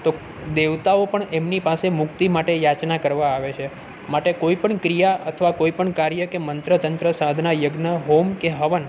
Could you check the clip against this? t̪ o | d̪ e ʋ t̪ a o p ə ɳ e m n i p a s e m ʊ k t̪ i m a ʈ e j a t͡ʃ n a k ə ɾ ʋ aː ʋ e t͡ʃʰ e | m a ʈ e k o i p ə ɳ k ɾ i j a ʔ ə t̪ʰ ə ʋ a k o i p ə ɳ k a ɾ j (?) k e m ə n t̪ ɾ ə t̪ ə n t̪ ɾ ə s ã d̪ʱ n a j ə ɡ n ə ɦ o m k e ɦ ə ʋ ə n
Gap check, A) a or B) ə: B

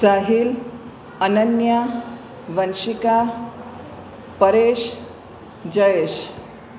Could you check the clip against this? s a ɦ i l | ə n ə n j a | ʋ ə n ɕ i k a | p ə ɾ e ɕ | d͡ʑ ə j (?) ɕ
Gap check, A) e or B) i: A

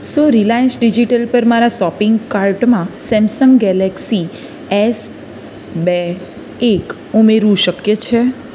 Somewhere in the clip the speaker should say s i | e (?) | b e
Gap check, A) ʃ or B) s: B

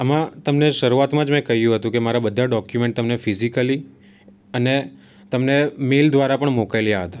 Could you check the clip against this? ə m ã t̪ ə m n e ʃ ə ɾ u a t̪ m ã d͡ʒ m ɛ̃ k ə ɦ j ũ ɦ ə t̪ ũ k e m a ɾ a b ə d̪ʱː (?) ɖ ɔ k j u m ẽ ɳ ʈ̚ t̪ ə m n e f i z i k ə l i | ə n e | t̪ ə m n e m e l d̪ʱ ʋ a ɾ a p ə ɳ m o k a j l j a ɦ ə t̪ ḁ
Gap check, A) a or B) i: A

